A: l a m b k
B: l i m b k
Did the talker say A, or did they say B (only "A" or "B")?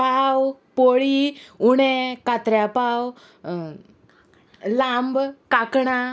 A